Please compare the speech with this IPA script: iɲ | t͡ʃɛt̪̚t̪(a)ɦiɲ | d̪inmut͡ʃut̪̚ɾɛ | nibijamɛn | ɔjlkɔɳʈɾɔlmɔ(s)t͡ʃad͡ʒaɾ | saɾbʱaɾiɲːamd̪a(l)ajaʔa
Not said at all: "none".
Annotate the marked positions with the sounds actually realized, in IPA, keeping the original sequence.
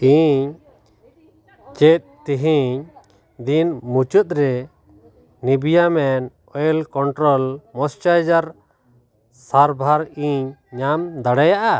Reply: i, s, ɽ

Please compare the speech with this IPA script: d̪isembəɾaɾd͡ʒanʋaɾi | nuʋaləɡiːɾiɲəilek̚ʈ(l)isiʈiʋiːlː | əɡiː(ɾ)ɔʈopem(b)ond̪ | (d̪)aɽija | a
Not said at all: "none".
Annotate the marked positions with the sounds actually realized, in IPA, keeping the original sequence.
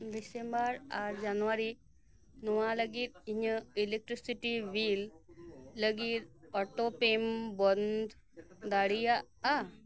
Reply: ɾ, ɾ, b, d̪

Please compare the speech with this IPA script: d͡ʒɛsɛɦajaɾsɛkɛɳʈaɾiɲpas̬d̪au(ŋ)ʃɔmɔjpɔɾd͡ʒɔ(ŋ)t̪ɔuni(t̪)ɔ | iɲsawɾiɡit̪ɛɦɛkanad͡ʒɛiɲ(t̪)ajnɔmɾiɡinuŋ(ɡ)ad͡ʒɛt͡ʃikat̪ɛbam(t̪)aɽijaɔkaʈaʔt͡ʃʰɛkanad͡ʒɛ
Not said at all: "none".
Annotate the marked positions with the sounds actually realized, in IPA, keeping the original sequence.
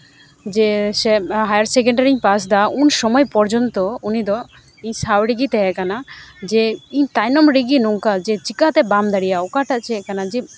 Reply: n, n, d̪, t̪, k, d̪

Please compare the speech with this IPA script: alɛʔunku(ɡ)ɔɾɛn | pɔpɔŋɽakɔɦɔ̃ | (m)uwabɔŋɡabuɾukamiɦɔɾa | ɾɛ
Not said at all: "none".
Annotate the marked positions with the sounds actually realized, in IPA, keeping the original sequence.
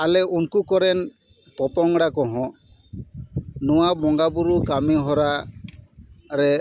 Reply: k, n

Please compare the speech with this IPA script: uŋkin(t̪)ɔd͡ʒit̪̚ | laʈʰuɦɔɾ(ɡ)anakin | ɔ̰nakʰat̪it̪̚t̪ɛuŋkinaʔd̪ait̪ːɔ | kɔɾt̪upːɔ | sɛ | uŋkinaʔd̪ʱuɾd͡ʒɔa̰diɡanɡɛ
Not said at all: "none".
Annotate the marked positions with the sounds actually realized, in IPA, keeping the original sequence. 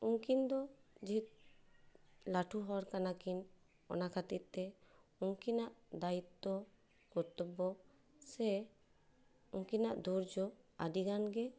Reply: d̪, k

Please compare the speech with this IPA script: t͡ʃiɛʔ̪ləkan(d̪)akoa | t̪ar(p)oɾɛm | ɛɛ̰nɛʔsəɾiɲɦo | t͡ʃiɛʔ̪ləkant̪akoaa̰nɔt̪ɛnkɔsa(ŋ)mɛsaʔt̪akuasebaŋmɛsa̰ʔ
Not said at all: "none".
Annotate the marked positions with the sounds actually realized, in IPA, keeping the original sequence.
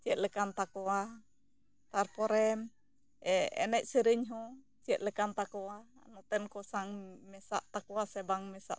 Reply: t̪, p, ŋ

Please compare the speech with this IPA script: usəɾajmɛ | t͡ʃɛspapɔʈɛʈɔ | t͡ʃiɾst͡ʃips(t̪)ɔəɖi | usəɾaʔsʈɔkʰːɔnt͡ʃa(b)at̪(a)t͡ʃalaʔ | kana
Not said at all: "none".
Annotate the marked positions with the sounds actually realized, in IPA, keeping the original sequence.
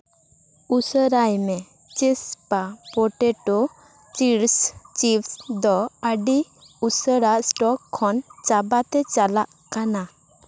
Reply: d̪, b, ɛ

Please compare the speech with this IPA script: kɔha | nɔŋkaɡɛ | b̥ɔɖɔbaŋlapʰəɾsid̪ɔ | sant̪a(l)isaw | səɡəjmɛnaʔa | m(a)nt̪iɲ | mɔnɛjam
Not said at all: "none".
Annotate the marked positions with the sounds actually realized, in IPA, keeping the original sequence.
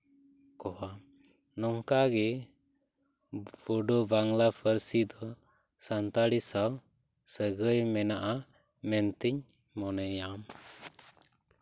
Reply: ɽ, ɛ

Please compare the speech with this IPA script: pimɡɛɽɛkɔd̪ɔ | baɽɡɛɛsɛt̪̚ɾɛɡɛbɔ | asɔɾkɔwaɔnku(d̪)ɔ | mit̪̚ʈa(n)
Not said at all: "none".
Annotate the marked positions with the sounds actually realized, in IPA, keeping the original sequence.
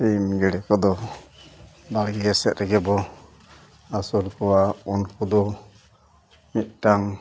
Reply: d̪, ŋ

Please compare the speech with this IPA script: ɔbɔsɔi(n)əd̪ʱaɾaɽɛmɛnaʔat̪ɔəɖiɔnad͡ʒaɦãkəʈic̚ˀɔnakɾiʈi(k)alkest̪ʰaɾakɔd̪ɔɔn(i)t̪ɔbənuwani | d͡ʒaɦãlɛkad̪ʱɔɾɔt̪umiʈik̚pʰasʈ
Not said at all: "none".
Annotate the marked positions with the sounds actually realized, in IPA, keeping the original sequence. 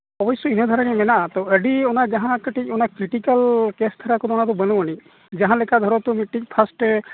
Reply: n, k, a

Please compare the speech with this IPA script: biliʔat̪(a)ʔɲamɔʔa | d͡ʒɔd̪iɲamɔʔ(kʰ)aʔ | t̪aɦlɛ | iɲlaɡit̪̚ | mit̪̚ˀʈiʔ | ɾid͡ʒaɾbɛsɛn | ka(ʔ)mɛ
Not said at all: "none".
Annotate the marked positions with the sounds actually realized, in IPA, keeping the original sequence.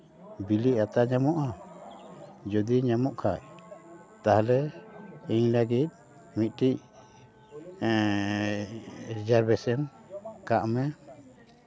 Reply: a, kʰ, ʔ

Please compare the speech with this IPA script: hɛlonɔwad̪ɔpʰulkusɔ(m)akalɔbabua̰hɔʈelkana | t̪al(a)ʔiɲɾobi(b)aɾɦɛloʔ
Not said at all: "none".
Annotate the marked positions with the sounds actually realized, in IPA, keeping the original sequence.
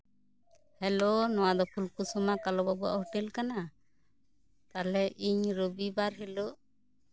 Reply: m, ɛ, b

